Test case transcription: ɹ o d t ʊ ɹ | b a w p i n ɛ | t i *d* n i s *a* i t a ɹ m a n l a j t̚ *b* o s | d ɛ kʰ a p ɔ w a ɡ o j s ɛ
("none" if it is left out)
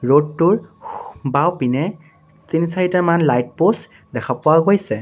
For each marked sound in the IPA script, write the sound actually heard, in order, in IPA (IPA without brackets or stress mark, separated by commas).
none, a, p